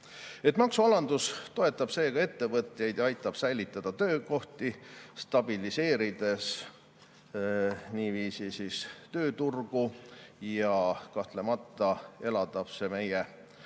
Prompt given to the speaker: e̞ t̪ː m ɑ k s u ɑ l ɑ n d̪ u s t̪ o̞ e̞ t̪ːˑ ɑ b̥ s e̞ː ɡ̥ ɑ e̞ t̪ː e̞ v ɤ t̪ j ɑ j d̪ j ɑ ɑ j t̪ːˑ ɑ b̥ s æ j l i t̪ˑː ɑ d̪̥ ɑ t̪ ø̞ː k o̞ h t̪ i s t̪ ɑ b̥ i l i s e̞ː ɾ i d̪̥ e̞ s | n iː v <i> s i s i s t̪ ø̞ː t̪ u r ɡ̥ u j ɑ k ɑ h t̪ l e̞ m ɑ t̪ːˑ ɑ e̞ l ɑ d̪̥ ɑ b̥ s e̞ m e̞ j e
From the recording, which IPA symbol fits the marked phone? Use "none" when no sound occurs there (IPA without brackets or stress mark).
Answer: iː